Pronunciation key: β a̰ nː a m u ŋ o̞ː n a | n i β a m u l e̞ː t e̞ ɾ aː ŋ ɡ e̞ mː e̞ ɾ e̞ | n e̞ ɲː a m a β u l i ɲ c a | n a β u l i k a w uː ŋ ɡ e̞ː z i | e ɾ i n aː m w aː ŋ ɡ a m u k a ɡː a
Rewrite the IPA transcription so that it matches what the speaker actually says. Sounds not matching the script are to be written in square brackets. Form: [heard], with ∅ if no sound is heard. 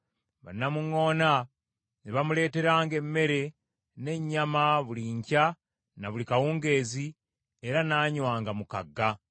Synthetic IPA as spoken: β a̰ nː a m u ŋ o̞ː n a | n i β a m u l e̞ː t e̞ ɾ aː ŋ ɡ e̞ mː e̞ ɾ e̞ | n e̞ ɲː a m a β u l i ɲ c a | n a β u l i k a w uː ŋ ɡ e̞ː z i | e ɾ [a] n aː [ɲ] w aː ŋ ɡ a m u k a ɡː a